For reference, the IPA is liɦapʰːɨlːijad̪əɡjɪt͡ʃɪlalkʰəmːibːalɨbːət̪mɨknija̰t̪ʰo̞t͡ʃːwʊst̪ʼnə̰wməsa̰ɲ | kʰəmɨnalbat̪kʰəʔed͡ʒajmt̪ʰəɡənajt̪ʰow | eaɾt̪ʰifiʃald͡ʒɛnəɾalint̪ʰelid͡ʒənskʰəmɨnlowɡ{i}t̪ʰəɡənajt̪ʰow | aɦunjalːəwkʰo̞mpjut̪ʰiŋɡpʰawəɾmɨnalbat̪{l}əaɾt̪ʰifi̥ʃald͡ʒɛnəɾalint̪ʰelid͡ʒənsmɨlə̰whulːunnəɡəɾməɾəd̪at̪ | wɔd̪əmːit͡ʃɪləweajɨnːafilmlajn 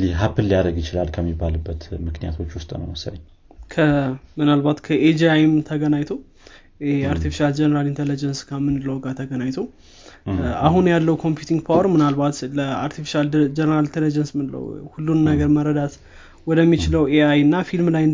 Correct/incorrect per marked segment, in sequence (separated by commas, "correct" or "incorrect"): incorrect, correct